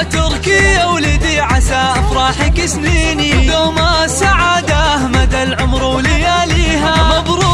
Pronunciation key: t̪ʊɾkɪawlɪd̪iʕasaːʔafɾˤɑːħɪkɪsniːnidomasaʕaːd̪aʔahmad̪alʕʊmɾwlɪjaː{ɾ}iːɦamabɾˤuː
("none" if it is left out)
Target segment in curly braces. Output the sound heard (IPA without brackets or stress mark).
l